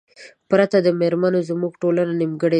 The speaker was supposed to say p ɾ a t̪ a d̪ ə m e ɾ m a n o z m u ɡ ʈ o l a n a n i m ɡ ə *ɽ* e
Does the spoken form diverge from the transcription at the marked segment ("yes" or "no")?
no